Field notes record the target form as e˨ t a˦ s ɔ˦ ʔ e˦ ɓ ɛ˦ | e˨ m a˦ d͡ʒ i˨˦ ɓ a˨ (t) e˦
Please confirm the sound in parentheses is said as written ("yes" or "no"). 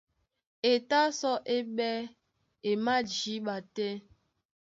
yes